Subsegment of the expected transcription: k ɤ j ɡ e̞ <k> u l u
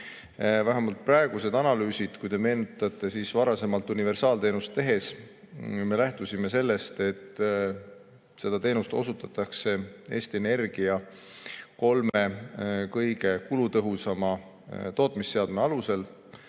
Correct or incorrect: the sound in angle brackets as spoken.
correct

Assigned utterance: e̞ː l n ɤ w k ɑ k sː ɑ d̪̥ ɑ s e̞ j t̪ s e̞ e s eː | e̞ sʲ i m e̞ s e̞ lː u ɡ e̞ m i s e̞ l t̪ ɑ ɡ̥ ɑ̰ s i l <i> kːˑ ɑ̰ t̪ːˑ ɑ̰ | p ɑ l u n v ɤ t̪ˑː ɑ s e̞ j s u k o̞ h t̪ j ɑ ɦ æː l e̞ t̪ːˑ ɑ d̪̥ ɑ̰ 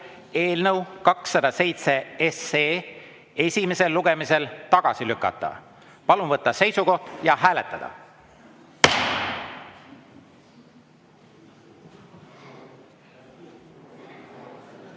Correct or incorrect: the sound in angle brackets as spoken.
incorrect: y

